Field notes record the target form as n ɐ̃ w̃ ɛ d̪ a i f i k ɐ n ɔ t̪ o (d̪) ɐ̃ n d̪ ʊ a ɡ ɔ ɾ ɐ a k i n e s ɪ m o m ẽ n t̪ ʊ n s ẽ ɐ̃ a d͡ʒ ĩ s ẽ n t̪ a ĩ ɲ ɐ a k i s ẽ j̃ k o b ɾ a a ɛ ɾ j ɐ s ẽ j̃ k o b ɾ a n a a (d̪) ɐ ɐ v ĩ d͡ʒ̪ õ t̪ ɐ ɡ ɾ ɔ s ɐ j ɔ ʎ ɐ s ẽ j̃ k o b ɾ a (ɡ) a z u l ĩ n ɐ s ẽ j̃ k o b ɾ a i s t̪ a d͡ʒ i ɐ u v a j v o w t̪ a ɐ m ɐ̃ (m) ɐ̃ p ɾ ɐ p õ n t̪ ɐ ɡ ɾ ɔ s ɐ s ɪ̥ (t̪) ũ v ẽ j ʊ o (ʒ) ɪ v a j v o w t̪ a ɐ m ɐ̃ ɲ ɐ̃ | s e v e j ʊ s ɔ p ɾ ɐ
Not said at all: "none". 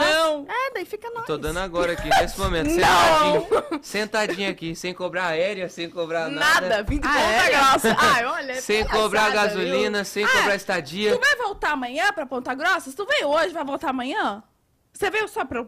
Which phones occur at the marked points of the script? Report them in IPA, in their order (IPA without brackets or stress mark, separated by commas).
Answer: d̪, d̪, ɡ, ɲ, t̪, ʒ